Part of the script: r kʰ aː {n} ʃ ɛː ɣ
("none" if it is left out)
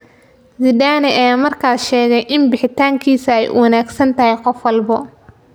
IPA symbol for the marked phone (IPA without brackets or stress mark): none